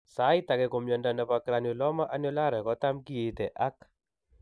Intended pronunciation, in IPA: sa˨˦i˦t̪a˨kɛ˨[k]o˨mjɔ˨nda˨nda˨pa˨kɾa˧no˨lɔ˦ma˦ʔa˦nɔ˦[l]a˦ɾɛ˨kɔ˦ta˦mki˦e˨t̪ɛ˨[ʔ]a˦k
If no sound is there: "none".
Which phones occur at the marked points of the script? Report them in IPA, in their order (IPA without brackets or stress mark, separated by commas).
k, l, ʔ